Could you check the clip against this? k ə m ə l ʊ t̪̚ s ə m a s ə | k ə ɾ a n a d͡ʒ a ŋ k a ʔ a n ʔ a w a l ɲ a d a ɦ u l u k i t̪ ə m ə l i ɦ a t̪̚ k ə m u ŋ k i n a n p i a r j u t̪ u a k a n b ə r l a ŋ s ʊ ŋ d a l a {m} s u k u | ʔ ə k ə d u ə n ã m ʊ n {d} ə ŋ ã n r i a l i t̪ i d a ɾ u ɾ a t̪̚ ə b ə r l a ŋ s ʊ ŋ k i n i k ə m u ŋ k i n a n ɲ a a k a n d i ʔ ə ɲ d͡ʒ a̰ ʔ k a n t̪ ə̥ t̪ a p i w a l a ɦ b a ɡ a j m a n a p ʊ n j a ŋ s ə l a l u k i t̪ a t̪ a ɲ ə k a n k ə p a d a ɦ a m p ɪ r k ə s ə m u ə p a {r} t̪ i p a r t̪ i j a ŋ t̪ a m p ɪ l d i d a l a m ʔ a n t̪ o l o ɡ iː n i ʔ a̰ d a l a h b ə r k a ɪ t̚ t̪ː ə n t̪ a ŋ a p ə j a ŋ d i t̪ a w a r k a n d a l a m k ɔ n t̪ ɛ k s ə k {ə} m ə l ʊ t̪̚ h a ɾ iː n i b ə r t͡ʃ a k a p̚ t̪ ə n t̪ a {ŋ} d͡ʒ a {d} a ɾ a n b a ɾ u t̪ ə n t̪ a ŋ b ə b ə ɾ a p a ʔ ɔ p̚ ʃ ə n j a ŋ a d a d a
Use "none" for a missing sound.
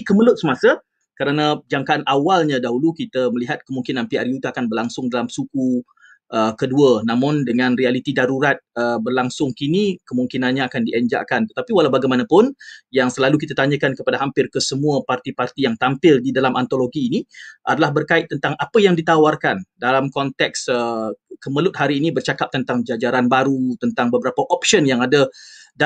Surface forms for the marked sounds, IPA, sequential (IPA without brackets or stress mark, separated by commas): m, d, r, ə, ŋ, d͡ʒ